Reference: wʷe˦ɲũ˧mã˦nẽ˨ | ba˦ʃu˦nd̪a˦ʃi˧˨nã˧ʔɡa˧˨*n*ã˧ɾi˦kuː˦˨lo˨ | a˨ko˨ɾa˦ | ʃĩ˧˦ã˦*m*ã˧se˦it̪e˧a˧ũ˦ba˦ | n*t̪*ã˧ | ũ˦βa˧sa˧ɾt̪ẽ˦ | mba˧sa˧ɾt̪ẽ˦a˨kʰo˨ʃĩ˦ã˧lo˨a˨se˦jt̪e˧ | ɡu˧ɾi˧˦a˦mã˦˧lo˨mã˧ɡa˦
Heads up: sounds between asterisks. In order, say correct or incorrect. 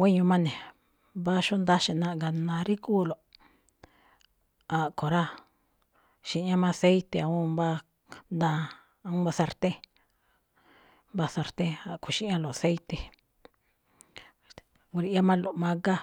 correct, correct, incorrect: d̪

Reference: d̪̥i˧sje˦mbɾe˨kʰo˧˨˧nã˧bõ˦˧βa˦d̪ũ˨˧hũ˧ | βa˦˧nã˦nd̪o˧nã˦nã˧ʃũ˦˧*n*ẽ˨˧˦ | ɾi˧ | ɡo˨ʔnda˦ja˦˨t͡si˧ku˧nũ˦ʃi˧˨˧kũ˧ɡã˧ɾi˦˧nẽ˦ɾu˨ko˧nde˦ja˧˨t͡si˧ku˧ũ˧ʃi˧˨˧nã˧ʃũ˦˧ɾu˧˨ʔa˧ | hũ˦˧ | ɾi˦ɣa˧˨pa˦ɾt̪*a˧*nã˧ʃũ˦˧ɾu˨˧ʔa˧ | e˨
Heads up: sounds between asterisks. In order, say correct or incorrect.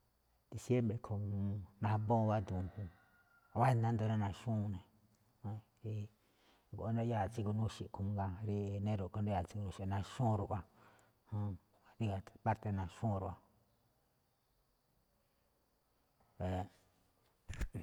correct, incorrect: e˧

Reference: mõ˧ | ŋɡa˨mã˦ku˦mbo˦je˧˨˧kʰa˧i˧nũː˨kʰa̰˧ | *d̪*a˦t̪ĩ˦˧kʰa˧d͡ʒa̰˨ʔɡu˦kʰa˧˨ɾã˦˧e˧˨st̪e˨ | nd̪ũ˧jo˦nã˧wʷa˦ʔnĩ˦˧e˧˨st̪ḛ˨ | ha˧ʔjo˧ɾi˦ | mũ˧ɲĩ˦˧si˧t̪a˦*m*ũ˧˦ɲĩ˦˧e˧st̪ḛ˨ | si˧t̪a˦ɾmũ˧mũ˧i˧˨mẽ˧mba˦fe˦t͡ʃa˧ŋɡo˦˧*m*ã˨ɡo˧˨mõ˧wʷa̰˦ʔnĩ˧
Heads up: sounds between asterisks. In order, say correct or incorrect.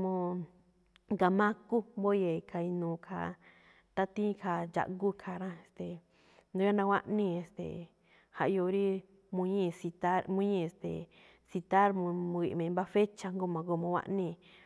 incorrect: t̪, correct, correct

